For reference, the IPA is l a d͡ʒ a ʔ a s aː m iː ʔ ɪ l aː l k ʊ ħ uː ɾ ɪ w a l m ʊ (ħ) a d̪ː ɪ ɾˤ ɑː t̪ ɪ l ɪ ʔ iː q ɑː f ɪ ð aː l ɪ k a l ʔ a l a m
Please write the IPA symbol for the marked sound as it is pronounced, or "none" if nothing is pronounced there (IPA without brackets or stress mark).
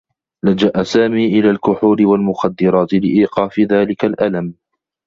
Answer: x